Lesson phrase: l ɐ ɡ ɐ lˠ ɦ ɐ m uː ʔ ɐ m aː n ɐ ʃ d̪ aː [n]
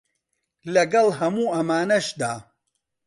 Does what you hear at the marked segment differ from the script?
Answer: yes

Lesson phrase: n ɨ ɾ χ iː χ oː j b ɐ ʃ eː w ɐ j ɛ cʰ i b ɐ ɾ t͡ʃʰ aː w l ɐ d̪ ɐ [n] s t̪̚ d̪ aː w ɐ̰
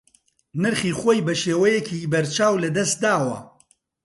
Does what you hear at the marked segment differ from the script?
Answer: yes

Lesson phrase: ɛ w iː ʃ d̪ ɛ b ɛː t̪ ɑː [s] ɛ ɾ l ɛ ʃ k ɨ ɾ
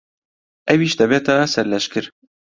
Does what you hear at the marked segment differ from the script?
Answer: no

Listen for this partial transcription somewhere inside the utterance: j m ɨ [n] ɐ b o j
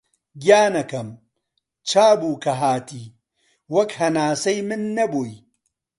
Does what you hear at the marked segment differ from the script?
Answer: yes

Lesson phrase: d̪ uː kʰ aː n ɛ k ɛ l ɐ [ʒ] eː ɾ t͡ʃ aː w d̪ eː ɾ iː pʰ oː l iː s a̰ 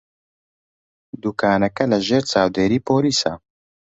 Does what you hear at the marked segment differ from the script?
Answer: no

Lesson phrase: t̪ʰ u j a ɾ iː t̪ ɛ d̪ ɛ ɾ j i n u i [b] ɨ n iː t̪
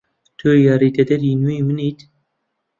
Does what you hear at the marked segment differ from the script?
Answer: yes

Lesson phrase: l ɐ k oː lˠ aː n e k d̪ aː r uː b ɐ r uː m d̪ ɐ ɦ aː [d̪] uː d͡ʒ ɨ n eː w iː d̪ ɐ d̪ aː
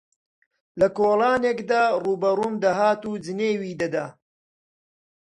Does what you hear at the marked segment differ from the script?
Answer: yes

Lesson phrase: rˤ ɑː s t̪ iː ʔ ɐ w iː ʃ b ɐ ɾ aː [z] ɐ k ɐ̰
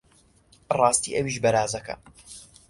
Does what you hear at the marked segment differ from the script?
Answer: no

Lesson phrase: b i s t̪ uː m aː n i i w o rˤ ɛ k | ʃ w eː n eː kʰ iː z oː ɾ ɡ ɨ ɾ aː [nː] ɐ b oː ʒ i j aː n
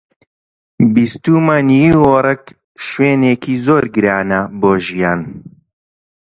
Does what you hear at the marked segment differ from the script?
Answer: yes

